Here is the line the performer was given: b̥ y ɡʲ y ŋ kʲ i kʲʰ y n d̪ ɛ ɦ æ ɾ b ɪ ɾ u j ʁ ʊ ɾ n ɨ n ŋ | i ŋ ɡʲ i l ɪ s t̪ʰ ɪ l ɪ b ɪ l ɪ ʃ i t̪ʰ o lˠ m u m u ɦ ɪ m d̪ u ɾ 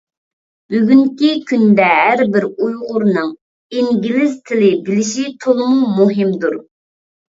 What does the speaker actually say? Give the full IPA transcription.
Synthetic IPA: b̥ y ɡʲ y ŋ kʲ i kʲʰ y n d̪ ɛ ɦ æ ɾ b ɪ ɾ u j ʁ ʊ ɾ n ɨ ŋ | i ŋ ɡʲ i l ɪ z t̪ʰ ɪ l ɪ b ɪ l ɪ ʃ i t̪ʰ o lˠ m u m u ɦ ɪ m d̪ u ɾ